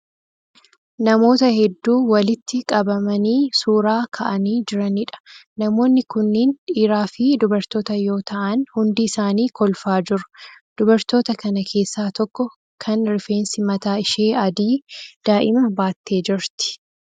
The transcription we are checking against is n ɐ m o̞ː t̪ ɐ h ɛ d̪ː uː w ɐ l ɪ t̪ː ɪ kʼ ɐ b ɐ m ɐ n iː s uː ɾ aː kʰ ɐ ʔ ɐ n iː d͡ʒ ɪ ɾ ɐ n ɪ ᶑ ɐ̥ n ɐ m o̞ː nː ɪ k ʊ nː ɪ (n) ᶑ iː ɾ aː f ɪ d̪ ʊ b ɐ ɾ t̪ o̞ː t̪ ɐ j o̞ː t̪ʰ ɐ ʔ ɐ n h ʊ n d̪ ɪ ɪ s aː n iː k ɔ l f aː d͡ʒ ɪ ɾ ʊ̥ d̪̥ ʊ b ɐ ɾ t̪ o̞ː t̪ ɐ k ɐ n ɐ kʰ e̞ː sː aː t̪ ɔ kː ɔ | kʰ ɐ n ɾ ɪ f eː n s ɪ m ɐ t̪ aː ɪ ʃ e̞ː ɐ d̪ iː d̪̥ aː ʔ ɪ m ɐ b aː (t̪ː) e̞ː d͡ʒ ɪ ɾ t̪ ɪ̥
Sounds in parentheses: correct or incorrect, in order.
correct, correct

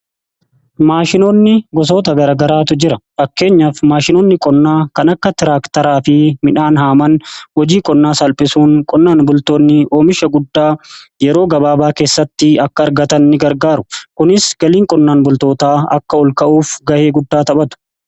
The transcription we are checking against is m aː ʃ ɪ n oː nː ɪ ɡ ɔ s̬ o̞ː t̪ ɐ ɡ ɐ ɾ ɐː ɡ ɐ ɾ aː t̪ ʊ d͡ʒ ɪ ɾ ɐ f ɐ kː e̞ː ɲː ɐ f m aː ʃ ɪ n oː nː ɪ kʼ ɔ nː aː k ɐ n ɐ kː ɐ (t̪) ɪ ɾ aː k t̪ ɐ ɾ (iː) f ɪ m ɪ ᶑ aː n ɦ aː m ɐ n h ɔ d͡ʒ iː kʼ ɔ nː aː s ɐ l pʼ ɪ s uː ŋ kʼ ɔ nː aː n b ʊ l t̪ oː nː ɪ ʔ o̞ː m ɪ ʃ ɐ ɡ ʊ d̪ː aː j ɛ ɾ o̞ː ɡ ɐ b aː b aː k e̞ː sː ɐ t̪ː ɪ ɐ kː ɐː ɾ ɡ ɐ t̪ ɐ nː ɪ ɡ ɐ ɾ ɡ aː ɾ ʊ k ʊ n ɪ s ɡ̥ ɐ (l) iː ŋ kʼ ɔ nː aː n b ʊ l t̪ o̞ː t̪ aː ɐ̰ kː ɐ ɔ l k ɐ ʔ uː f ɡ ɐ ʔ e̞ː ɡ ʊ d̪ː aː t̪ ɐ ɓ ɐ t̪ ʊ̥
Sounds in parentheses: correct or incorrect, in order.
correct, incorrect, correct

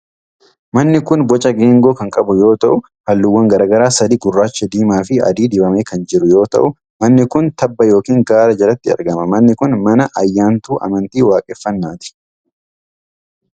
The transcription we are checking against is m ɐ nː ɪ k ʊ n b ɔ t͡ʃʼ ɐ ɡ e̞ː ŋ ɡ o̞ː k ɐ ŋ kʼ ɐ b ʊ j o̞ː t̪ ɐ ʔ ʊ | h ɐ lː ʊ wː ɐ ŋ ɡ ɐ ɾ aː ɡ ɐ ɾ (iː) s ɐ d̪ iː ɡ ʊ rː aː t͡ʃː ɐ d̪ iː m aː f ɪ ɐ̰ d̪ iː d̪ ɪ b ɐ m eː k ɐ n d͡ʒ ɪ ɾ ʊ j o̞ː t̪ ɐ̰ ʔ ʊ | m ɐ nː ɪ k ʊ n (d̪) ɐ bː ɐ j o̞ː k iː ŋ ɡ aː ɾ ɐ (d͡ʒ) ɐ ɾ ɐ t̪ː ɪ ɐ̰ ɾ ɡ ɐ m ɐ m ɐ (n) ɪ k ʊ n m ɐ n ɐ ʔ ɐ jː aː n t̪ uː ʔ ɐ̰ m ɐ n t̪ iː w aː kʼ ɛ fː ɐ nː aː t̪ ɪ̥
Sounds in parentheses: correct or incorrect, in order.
incorrect, incorrect, correct, incorrect

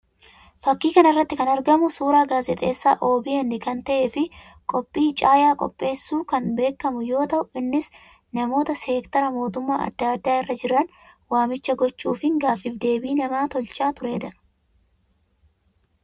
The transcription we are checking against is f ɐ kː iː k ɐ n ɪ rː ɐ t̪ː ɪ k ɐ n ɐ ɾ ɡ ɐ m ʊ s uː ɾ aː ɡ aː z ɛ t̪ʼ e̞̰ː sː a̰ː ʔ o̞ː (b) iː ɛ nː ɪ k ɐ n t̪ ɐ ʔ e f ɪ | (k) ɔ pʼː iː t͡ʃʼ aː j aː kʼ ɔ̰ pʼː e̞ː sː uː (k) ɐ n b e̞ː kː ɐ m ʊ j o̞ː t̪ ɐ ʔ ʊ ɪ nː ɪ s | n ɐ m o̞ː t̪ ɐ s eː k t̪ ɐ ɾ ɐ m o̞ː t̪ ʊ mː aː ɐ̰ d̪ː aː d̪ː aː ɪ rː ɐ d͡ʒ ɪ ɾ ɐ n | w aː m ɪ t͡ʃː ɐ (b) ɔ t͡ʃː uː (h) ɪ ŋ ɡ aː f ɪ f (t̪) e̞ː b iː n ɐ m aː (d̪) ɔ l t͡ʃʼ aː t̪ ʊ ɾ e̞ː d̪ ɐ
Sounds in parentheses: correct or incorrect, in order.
correct, incorrect, correct, incorrect, incorrect, incorrect, incorrect

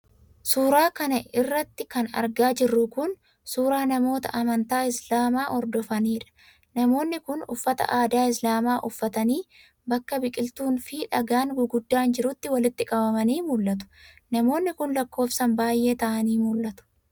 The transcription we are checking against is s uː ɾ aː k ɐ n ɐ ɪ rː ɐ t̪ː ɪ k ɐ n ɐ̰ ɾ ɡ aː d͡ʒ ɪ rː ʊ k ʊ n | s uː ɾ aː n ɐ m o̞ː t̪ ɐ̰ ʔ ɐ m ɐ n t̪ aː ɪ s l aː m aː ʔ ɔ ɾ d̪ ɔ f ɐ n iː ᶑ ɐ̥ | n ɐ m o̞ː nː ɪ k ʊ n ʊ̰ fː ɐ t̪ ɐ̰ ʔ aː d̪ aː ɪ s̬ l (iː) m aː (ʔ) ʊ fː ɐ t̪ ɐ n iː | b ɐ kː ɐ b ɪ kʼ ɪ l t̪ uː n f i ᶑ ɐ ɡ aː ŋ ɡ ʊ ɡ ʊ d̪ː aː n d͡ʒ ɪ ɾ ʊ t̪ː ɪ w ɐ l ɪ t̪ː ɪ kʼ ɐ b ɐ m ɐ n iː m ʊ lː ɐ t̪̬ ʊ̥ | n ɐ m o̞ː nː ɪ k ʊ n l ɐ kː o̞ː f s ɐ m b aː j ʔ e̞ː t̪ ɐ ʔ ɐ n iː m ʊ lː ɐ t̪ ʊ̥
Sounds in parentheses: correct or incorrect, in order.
incorrect, correct

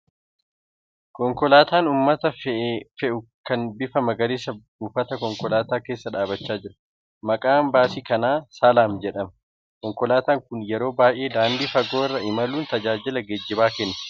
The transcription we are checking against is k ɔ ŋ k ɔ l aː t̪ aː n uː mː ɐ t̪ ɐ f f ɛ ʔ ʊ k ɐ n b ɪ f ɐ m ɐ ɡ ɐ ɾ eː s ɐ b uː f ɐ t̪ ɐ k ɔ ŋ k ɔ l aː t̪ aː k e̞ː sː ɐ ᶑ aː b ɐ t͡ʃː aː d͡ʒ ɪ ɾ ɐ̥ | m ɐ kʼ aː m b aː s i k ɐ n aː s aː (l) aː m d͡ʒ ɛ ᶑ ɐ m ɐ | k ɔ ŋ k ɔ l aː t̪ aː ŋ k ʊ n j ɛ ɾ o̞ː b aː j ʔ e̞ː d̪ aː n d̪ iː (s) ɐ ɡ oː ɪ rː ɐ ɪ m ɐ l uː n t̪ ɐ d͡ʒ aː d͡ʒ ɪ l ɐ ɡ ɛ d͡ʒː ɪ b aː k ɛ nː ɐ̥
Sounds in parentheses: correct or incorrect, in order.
correct, incorrect

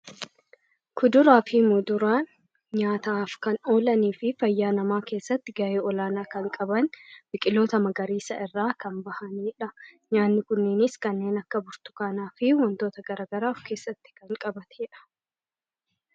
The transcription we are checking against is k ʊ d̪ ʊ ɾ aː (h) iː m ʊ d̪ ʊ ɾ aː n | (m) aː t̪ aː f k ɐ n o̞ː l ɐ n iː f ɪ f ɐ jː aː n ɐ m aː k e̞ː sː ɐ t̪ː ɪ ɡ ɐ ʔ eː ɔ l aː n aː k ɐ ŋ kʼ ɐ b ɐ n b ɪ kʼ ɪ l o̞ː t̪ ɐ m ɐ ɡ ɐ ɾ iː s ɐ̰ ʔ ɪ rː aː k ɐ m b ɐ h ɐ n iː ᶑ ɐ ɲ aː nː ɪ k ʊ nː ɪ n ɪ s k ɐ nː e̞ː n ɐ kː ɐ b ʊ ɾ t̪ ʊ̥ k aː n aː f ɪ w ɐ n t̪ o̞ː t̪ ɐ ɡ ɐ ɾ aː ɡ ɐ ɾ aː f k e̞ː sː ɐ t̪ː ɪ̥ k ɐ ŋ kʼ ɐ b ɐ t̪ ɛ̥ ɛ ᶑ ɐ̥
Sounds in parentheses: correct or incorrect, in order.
incorrect, incorrect

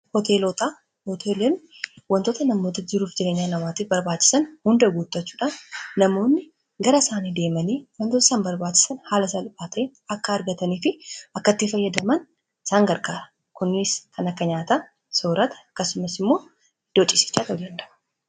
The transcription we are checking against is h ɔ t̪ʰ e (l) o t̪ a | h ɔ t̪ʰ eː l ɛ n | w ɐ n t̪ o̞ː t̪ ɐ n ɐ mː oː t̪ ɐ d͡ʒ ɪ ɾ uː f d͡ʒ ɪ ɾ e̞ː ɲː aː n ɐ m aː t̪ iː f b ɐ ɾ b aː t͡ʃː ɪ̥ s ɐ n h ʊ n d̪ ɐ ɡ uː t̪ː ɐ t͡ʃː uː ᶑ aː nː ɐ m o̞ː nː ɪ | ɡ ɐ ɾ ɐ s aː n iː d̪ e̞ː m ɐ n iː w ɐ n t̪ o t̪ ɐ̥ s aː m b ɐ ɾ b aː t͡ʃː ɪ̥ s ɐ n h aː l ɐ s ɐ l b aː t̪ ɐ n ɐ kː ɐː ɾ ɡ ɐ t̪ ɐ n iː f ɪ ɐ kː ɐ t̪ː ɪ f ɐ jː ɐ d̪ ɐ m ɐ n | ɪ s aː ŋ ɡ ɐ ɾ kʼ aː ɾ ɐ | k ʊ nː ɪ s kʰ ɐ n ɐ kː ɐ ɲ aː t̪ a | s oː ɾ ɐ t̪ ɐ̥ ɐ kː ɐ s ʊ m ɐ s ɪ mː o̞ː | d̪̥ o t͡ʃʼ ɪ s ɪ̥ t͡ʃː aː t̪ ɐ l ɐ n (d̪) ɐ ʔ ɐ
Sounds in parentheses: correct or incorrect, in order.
correct, correct

